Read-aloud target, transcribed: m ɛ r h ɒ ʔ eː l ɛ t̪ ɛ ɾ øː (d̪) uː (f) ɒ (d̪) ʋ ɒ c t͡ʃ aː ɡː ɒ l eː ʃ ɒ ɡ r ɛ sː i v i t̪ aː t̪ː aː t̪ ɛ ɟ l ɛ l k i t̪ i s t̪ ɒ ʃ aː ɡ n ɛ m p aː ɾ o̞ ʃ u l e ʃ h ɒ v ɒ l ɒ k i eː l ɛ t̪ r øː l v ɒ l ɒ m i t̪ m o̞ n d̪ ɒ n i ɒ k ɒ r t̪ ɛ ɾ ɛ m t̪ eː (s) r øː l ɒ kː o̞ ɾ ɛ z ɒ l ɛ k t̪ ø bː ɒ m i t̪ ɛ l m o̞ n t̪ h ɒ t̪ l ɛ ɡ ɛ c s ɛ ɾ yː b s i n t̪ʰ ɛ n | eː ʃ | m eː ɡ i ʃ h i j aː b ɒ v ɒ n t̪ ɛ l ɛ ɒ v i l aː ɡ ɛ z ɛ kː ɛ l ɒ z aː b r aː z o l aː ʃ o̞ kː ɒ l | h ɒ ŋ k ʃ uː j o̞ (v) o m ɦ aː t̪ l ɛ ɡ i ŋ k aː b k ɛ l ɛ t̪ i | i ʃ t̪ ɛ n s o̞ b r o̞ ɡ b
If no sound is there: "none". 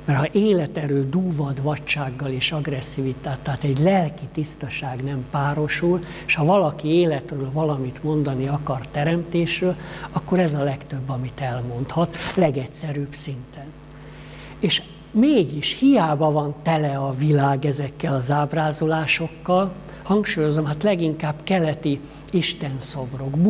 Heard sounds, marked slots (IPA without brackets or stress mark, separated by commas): d̪, v, d̪, ʃ, z